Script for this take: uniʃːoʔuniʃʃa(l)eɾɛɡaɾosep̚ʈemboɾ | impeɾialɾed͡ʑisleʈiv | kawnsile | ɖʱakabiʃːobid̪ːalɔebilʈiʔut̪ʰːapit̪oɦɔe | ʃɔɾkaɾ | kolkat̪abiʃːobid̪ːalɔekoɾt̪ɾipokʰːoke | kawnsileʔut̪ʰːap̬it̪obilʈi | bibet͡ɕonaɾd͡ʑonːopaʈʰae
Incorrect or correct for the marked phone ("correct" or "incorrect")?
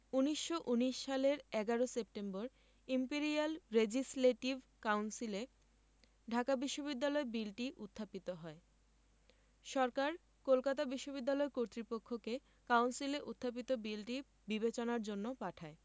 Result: correct